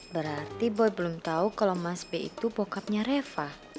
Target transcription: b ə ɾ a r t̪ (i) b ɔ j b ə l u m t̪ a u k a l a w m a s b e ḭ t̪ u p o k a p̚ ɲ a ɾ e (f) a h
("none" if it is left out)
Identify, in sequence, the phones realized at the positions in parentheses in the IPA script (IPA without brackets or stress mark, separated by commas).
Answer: i, f